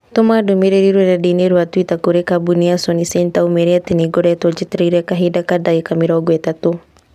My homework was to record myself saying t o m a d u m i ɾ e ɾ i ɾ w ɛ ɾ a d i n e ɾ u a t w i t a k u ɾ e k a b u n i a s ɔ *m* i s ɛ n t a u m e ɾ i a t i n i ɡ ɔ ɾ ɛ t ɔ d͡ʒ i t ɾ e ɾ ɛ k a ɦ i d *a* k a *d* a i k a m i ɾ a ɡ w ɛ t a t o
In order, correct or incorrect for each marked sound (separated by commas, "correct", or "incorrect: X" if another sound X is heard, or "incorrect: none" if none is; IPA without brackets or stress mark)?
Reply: incorrect: n, correct, correct